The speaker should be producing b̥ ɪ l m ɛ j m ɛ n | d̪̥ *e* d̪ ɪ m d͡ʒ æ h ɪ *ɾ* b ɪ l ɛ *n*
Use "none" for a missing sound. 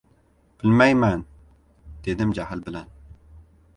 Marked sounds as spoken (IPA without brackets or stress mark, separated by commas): e, l, n